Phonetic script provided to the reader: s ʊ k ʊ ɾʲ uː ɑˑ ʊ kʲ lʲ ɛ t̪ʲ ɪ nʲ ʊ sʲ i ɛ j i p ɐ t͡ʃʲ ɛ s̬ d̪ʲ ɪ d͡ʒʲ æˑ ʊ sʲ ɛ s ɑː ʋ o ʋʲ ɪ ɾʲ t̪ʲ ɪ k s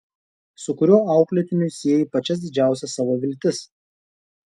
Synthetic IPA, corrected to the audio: s ʊ k ʊ ɾʲ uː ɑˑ ʊ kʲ lʲ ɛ t̪ʲ ɪ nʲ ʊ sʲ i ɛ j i p ɐ t͡ʃʲ ɛ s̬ d̪ʲ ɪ d͡ʒʲ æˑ ʊ sʲ ɛ s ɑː ʋ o ʋʲ ɪ lʲ t̪ʲ ɪ s